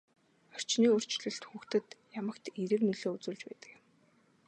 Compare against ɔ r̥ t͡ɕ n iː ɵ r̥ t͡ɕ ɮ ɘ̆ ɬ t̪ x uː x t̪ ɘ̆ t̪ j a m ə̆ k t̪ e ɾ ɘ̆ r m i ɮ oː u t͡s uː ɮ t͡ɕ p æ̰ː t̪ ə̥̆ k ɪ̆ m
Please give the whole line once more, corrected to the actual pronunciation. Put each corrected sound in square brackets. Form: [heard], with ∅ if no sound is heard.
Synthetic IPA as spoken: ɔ r̥ t͡ɕ n iː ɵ r̥ t͡ɕ ɮ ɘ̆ ɬ t̪ x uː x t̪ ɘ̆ t̪ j a m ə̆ k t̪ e ɾ ɘ̆ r m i ɮ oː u t͡s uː ɮ t͡ɕ p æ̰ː t̪ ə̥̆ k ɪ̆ m